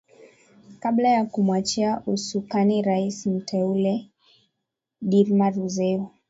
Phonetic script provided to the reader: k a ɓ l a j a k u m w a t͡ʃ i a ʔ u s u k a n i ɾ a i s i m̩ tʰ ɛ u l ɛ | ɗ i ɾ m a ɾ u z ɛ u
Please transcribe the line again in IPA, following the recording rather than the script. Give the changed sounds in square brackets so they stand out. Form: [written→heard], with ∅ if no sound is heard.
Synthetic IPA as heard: k a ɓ l a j a k u m w a t͡ʃ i a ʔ u s u k a n i ɾ a i s i m̩ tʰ ɛ u l ɛ | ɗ i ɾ m a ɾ u z ɛ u